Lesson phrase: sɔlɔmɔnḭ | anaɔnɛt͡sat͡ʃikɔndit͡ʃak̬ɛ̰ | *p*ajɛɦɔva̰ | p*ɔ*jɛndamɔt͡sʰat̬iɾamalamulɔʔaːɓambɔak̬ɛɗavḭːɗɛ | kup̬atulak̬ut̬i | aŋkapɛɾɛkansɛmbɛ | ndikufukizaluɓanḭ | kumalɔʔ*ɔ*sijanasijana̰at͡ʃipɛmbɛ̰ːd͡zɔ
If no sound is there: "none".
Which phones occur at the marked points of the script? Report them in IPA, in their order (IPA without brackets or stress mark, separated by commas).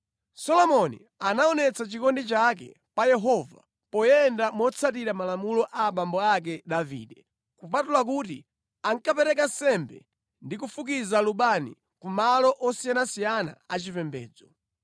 p, ɔ, ɔ